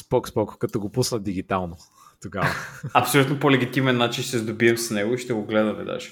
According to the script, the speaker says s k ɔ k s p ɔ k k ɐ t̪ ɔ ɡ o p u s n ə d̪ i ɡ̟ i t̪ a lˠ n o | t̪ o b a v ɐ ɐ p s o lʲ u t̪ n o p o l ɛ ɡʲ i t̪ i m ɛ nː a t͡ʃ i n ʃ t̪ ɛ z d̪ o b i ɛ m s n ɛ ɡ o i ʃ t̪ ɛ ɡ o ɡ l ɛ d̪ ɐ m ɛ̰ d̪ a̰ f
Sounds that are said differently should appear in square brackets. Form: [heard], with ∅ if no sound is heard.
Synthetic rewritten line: s [p] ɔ k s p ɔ k k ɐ t̪ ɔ ɡ o p u s n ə d̪ i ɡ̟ i t̪ a lˠ n o | t̪ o [ɡ] a v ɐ ɐ p s o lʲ u t̪ n o p o l ɛ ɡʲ i t̪ i m ɛ nː a t͡ʃ i n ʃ t̪ ɛ z d̪ o b i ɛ m s n ɛ ɡ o i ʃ t̪ ɛ ɡ o ɡ l ɛ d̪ ɐ m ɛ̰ d̪ a̰ [ʃ]